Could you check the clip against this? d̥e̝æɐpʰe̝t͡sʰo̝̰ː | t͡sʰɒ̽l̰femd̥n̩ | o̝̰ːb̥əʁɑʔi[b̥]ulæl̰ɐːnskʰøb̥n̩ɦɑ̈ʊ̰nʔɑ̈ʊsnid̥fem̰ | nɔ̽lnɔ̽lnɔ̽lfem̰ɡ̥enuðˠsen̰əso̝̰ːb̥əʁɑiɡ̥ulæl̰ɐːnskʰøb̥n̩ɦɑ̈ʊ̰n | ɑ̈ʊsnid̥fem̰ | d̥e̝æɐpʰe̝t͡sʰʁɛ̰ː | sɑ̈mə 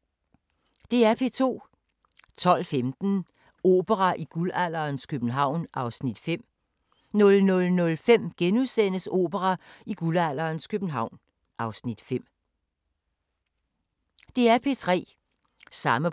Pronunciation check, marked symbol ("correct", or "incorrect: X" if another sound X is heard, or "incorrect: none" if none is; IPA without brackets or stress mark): incorrect: ɡ̥